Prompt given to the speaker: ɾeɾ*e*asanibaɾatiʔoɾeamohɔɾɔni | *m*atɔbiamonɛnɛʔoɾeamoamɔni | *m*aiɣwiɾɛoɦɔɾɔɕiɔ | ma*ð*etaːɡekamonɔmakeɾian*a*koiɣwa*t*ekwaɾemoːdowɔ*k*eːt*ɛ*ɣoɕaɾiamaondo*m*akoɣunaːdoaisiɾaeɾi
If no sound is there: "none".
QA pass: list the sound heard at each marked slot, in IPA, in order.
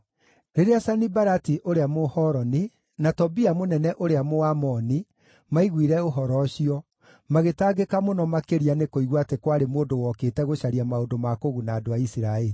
e, n, m, ɣ, e, t, k, ɛ, m

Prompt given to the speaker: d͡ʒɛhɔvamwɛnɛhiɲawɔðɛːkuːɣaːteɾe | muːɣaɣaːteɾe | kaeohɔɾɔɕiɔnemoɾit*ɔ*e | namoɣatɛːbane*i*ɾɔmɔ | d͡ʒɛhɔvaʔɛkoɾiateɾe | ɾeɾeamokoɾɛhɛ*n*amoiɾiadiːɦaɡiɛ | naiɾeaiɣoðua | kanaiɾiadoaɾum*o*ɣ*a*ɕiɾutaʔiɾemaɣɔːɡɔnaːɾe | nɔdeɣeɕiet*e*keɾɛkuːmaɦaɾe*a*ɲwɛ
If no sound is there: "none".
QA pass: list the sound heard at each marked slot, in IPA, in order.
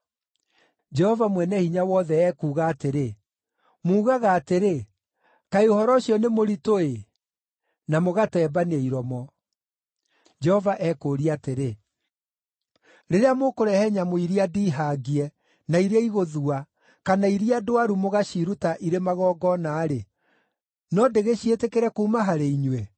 o, i, ɲ, o, a, e, i

